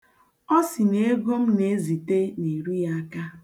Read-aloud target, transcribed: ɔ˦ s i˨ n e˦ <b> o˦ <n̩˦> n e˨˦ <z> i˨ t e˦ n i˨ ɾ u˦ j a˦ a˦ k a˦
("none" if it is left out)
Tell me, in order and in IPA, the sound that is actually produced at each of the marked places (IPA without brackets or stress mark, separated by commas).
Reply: ɡ, m̩˦, z